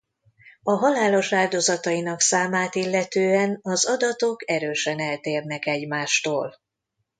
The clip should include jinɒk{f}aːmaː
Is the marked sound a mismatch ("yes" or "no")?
yes